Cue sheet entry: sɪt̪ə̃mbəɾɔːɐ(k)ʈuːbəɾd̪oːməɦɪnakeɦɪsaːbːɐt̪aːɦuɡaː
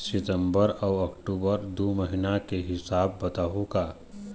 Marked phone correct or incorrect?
correct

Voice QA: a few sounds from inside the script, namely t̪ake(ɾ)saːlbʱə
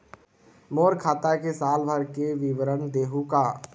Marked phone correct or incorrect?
incorrect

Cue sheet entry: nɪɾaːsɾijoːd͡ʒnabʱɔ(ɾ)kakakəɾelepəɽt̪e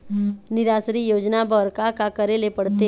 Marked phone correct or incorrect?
correct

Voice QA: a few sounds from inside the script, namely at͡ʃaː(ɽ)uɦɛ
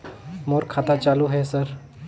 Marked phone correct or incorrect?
incorrect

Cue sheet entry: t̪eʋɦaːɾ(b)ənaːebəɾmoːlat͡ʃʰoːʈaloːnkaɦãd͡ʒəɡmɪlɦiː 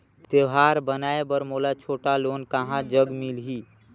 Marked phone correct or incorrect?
correct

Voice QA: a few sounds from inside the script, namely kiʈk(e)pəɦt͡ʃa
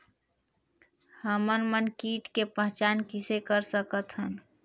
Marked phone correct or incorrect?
correct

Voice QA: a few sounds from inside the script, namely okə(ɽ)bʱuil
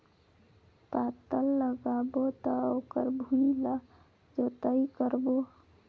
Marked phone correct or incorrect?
incorrect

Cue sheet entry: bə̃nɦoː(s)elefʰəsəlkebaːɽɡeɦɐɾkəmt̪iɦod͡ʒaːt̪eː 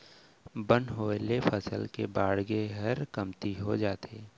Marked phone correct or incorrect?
incorrect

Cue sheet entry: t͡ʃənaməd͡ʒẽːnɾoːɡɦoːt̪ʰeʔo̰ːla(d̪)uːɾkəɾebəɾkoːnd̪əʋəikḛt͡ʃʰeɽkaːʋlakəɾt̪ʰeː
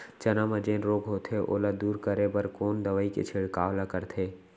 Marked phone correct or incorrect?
correct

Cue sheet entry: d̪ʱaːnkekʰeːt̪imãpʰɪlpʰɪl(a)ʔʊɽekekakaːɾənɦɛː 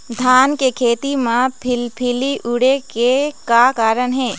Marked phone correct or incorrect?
incorrect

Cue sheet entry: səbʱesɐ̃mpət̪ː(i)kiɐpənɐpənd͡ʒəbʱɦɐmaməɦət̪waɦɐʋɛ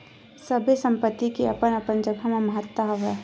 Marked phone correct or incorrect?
correct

